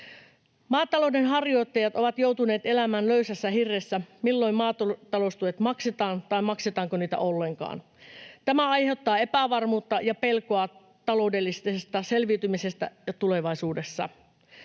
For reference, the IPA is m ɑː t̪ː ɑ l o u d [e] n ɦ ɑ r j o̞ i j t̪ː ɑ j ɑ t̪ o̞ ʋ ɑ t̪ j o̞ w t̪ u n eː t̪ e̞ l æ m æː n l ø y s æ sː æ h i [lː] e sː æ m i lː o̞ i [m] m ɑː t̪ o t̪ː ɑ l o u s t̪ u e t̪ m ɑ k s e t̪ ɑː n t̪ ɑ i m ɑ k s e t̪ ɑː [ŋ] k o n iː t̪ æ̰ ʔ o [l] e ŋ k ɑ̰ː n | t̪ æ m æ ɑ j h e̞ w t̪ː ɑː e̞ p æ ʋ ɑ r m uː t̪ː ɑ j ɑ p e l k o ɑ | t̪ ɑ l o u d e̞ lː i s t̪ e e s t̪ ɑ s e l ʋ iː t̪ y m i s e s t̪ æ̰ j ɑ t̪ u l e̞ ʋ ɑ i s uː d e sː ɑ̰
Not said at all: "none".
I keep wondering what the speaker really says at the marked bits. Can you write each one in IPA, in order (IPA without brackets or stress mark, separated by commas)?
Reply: e, rː, m, ŋ, lː